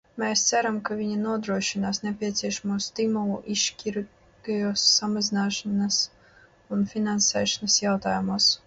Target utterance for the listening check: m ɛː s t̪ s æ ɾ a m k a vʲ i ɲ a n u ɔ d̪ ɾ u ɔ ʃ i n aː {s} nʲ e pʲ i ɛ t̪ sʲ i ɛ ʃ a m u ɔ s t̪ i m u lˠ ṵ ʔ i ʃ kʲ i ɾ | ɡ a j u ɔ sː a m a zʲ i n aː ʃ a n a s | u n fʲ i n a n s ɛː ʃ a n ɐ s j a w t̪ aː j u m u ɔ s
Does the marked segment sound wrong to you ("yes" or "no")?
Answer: no